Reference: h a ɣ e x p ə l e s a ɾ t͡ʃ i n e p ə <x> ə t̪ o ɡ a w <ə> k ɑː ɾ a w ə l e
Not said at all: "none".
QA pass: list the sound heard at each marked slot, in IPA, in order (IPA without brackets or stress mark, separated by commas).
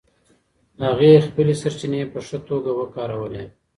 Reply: ʂ, ə